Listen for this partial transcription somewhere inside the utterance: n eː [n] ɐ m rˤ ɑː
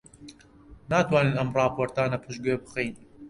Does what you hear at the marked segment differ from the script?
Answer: no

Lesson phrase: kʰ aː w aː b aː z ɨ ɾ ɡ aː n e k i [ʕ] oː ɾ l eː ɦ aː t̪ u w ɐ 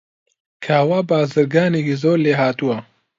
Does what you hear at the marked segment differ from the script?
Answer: yes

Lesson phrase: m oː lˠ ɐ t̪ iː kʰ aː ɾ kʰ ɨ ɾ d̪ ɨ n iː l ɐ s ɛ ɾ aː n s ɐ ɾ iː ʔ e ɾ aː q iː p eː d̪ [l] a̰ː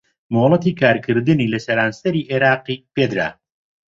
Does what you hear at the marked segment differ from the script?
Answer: yes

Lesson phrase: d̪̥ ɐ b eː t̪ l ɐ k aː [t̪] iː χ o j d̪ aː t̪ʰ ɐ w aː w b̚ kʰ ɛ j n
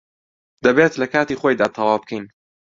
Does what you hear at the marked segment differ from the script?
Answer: no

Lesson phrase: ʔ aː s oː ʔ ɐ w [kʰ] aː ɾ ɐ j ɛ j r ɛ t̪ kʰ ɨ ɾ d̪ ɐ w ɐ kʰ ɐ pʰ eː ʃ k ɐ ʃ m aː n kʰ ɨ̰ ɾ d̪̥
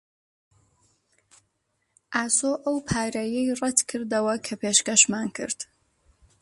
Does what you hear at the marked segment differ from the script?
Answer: yes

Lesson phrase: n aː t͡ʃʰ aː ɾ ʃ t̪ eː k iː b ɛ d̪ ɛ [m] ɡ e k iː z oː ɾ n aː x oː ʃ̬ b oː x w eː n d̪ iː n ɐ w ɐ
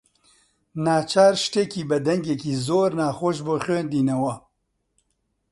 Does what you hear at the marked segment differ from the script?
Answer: yes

